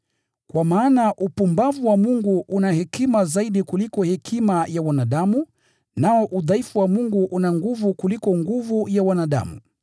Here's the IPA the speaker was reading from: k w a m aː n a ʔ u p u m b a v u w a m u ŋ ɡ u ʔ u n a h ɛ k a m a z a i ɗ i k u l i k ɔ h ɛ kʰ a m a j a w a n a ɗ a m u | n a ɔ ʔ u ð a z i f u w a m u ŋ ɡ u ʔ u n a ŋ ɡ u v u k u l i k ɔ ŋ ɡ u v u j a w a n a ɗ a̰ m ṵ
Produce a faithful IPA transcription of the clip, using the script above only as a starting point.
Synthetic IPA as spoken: k w a m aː n a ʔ u p u m b a v u w a m u ŋ ɡ u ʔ u n a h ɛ k i m a z a i ɗ i k u l i k ɔ h ɛ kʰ i m a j a w a n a ɗ a m u | n a ɔ ʔ u ð a i f u w a m u ŋ ɡ u ʔ u n a ŋ ɡ u v u k u l i k ɔ ŋ ɡ u v u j a w a n a ɗ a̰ m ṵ